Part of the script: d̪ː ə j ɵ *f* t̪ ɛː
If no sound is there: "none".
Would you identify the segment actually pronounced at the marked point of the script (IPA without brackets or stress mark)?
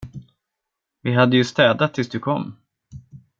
s